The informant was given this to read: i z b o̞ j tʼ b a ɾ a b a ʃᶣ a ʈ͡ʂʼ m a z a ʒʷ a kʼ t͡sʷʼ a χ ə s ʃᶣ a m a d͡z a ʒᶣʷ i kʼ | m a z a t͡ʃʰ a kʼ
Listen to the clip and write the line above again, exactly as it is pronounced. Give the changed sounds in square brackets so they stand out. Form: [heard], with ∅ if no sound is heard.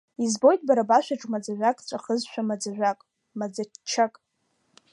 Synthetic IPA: i z b o̞ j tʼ b a ɾ a b a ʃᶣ a ʈ͡ʂʼ m a [d͡z] a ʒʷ a kʼ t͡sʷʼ a χ ə [z] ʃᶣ a m a d͡z a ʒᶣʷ [a] kʼ | m a [d͡z] a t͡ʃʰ a kʼ